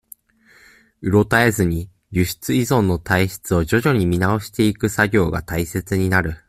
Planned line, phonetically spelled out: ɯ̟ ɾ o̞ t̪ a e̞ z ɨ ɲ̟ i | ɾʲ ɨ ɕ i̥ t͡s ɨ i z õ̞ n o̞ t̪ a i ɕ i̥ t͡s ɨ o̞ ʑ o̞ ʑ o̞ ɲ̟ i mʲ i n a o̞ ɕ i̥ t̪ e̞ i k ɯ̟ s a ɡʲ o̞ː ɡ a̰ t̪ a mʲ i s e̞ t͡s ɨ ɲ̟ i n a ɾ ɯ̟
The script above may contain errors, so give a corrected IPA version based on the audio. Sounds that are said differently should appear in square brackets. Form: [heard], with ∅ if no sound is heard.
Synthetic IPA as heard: ɯ̟ ɾ o̞ t̪ a e̞ z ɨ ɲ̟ i | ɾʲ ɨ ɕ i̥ t͡s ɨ i z õ̞ [nː] o̞ t̪ a i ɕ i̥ t͡s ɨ o̞ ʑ o̞ ʑ o̞ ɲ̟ i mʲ i n a o̞ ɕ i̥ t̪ e̞ i k ɯ̟ s a ɡʲ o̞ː ɡ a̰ t̪ a [∅] i s e̞ t͡s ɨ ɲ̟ i n a ɾ ɯ̟